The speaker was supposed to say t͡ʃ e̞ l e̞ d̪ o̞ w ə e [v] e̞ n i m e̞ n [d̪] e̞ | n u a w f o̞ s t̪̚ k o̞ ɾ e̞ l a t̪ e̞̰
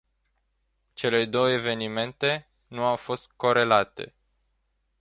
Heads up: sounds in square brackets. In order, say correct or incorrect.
correct, incorrect

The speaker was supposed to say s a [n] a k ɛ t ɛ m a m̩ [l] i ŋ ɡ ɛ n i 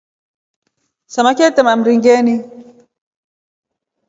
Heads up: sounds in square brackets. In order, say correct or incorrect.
incorrect, incorrect

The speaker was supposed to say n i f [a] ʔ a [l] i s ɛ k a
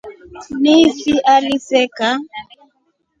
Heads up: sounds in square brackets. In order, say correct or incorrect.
incorrect, correct

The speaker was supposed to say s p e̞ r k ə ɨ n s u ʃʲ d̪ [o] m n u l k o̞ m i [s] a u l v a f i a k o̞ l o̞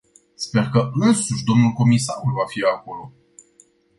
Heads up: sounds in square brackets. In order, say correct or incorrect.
correct, correct

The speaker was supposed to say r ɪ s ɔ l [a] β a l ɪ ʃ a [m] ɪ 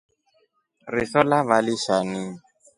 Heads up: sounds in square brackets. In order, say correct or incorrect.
correct, incorrect

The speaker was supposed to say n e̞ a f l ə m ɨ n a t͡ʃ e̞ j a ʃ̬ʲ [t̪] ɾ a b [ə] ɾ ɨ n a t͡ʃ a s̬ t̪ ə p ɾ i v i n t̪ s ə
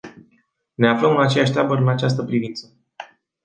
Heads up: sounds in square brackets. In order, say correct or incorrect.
correct, correct

